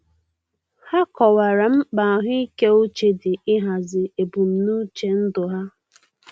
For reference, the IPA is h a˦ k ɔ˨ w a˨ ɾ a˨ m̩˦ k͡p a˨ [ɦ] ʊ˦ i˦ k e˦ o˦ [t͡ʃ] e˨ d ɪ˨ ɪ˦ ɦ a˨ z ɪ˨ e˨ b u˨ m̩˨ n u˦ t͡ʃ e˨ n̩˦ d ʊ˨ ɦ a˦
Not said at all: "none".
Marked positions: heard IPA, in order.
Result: ɦ, t͡ʃ

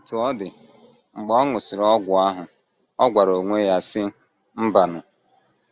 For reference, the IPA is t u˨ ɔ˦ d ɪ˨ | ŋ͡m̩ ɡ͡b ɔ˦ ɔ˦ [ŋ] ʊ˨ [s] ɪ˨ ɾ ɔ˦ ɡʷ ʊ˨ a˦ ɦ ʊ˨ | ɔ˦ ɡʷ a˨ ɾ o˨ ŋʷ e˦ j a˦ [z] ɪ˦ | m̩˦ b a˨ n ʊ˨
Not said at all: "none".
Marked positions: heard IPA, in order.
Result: ŋ, s, s

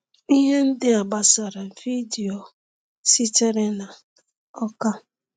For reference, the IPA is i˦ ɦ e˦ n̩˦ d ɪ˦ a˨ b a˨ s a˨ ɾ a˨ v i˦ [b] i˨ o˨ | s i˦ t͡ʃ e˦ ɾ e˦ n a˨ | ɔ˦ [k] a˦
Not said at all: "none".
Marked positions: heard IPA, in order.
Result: d, k

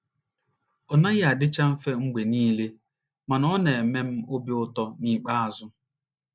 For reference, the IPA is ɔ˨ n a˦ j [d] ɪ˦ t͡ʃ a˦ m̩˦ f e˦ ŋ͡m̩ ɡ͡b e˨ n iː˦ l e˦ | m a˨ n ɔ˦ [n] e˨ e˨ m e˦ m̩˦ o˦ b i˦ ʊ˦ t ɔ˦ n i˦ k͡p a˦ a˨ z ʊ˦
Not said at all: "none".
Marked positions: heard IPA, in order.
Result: d, n

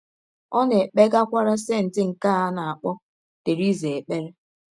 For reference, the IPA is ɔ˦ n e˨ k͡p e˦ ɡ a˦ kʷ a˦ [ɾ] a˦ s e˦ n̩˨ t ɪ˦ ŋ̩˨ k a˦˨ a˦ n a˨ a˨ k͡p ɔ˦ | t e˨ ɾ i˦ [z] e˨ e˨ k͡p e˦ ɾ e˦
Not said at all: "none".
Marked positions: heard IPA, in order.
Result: ɾ, z

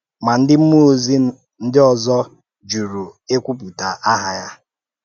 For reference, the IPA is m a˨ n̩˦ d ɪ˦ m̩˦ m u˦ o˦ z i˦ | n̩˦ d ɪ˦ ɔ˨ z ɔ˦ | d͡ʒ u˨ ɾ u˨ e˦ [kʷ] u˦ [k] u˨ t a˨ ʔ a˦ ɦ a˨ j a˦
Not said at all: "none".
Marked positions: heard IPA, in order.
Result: kʷ, p

